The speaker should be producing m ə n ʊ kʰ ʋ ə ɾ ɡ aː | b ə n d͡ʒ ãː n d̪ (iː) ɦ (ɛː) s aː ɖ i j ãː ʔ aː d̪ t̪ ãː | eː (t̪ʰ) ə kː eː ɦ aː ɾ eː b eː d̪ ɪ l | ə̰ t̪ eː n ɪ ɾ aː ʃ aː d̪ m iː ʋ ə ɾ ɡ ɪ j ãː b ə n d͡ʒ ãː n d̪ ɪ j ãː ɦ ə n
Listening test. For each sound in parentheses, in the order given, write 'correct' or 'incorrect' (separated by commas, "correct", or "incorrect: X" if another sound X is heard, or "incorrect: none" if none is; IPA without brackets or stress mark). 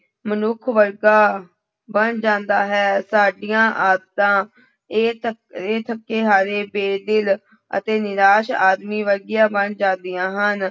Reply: incorrect: aː, correct, correct